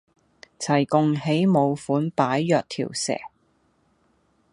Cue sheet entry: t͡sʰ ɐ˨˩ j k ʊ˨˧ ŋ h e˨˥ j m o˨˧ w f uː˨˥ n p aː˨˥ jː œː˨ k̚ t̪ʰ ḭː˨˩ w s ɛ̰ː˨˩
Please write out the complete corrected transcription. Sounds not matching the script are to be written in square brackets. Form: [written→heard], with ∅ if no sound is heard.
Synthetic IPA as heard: t͡sʰ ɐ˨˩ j k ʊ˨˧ ŋ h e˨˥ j m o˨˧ w f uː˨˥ n p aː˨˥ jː œː˨ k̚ t̪ʰ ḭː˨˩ w s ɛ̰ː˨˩

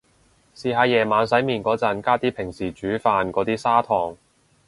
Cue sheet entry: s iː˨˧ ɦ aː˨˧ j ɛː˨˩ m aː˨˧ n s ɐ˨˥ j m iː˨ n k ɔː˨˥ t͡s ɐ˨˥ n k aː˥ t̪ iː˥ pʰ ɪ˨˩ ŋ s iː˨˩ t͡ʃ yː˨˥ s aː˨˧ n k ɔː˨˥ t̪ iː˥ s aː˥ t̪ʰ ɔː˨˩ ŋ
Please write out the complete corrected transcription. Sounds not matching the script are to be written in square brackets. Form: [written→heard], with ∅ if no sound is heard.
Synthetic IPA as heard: s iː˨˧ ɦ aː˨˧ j ɛː˨˩ m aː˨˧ n s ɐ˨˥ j m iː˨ n k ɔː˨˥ t͡s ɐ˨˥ n k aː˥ t̪ iː˥ pʰ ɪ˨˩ ŋ s iː˨˩ t͡ʃ yː˨˥ [s→f] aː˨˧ n k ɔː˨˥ t̪ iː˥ s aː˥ t̪ʰ ɔː˨˩ ŋ

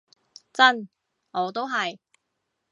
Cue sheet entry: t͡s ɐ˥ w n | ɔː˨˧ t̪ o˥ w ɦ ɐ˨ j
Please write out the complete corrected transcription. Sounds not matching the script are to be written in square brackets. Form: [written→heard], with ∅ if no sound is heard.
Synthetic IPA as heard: t͡s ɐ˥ [w→∅] n | ɔː˨˧ t̪ o˥ w ɦ ɐ˨ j

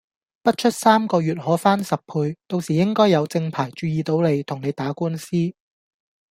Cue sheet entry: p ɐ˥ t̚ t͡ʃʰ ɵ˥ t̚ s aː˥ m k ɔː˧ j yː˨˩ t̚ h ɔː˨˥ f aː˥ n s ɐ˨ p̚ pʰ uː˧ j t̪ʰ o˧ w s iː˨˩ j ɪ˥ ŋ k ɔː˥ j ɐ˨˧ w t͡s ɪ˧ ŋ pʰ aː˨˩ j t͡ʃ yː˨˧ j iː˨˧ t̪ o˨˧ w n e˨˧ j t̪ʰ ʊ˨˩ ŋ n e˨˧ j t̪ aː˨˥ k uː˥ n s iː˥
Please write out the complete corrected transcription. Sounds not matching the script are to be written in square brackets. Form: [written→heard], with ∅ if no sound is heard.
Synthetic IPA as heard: p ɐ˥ t̚ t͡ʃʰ ɵ˥ t̚ s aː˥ m k ɔː˧ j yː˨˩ t̚ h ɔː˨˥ f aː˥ n s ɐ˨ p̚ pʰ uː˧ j [t̪ʰ→t̪] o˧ w s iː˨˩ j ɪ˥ ŋ k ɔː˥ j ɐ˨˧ w t͡s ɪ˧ ŋ pʰ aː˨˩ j t͡ʃ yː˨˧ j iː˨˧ t̪ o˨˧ w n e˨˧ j t̪ʰ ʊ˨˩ ŋ n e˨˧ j t̪ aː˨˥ k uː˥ n s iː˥

